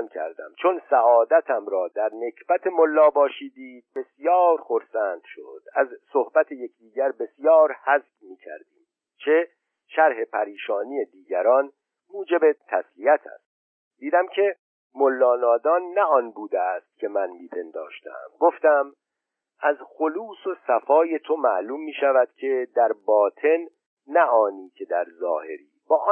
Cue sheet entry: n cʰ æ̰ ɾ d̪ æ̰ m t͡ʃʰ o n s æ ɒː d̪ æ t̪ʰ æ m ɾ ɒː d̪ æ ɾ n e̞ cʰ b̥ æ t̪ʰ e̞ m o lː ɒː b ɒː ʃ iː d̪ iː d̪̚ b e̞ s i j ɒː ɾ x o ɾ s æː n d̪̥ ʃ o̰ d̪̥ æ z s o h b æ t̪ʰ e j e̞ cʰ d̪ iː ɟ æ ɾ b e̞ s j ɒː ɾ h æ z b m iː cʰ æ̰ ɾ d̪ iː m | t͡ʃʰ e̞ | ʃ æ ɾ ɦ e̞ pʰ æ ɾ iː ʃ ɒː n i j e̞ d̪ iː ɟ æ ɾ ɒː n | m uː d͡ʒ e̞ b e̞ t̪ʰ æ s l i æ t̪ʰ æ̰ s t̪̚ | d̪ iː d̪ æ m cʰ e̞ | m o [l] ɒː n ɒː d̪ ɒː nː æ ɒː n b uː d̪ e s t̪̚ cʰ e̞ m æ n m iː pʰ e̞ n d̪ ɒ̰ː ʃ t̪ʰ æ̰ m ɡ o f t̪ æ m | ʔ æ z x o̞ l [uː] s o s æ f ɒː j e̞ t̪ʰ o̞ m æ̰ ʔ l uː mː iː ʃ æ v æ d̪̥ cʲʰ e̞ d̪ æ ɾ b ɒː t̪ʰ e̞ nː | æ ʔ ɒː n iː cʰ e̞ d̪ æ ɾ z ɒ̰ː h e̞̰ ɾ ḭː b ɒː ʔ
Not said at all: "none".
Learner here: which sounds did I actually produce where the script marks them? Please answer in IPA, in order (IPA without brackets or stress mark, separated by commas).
lː, uː